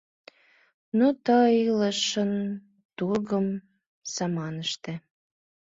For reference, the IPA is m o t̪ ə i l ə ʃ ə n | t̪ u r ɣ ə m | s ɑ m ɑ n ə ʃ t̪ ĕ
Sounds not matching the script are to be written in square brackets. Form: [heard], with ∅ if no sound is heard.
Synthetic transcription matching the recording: [n] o t̪ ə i l ə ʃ ə n | t̪ u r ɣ ə m | s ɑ m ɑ n ə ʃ t̪ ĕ